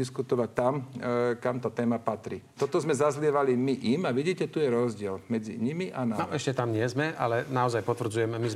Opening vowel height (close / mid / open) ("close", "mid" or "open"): close